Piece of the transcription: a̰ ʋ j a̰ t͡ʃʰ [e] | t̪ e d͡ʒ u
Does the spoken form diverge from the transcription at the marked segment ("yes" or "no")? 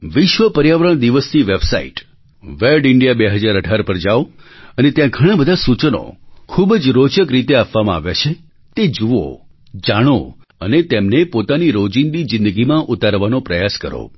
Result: no